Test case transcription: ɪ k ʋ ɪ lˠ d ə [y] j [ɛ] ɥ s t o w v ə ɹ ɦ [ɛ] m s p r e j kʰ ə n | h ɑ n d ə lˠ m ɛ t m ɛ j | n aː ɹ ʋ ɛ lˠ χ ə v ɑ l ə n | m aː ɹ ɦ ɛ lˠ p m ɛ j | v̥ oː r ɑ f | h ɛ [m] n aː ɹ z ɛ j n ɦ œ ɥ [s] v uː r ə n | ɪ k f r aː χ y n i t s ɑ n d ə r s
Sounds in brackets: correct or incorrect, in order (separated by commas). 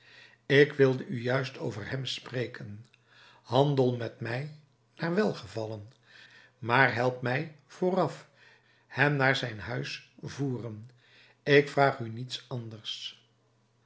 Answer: correct, incorrect, correct, correct, correct